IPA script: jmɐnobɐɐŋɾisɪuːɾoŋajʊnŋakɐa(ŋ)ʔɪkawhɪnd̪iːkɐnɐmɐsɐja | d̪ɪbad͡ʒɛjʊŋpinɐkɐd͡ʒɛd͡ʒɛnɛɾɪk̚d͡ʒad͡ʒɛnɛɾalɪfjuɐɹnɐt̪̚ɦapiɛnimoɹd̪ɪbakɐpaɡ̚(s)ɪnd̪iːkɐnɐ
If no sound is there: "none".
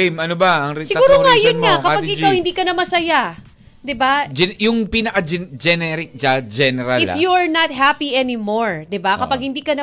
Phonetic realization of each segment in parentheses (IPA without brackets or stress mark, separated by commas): ɡ, h